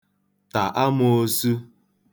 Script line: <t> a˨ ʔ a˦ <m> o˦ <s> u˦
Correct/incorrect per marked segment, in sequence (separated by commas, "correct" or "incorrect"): correct, correct, correct